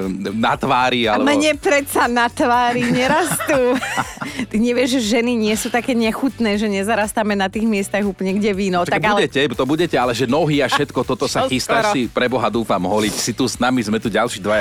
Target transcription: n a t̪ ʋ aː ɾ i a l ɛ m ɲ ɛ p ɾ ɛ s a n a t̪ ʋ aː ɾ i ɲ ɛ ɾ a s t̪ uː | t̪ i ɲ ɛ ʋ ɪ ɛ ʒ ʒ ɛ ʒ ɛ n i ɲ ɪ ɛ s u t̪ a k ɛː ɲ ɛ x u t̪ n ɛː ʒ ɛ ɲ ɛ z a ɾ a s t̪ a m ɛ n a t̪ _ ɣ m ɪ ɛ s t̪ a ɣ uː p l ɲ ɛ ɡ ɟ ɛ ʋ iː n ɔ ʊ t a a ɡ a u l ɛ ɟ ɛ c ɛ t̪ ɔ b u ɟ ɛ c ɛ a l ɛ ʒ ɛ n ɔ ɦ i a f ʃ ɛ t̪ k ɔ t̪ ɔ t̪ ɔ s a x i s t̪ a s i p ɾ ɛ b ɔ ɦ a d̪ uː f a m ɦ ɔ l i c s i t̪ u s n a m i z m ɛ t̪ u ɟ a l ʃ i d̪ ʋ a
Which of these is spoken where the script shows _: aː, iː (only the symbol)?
iː